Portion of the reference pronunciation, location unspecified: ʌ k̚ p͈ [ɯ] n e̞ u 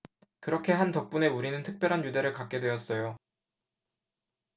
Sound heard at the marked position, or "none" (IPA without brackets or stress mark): u